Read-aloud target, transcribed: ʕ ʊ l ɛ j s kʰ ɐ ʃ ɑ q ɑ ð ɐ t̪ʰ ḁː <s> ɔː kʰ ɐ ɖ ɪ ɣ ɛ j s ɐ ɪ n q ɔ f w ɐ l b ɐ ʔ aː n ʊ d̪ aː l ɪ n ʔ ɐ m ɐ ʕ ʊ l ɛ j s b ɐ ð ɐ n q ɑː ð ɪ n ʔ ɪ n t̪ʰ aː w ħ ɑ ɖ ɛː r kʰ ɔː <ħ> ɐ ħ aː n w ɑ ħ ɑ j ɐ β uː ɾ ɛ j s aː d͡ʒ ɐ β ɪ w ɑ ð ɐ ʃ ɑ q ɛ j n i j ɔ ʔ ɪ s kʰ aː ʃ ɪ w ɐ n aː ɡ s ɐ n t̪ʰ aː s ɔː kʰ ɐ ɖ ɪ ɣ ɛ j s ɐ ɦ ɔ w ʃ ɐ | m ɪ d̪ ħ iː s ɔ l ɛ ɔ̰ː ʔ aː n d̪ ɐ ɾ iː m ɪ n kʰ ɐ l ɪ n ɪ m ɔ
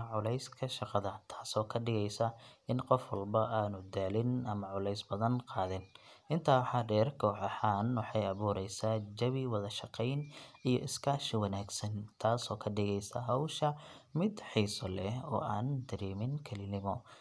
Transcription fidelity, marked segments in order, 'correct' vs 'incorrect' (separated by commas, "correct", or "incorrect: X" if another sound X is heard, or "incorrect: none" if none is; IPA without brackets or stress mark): correct, correct